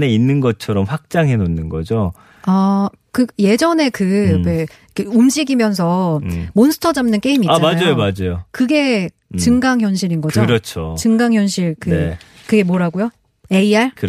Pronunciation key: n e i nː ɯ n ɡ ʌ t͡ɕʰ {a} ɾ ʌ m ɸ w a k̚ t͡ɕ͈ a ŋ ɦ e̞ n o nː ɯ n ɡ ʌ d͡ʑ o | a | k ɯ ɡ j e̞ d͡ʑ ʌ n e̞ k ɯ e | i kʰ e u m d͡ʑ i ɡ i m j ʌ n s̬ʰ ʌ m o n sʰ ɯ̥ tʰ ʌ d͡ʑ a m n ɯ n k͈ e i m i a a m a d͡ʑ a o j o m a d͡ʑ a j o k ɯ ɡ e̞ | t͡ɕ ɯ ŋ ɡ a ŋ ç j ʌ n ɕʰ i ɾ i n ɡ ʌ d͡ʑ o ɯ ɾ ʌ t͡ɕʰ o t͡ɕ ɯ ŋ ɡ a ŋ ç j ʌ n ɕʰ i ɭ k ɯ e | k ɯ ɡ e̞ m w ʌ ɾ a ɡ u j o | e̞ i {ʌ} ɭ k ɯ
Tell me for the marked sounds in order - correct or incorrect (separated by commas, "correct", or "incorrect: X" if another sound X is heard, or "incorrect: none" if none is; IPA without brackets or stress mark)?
incorrect: ʌ, incorrect: a